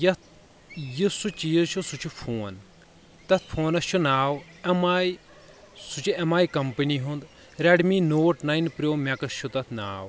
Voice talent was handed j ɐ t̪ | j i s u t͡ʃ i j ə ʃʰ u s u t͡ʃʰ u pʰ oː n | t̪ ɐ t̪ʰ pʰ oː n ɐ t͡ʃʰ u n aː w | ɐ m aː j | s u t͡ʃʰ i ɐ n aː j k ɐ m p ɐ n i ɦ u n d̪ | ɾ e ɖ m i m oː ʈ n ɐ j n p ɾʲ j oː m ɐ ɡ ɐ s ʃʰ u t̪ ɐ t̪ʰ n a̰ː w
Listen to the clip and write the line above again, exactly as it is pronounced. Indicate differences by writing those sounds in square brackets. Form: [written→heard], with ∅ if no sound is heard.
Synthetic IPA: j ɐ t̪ | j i s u t͡ʃ i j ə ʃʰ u s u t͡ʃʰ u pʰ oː n | t̪ ɐ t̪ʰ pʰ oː n ɐ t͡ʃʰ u n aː w | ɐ m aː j | s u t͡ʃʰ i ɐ [n→m] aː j k ɐ m p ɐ n i ɦ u n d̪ | ɾ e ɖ m i [m→n] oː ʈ n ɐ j n p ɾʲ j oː m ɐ [ɡ→k] ɐ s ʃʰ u t̪ ɐ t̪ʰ n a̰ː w